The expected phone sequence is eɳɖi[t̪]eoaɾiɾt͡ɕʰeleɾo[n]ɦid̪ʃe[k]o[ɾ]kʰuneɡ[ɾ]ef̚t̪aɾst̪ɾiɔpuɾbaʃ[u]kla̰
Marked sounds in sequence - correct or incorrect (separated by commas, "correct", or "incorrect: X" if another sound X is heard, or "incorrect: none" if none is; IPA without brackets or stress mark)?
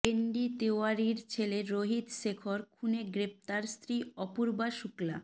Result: correct, incorrect: none, incorrect: kʰ, correct, correct, correct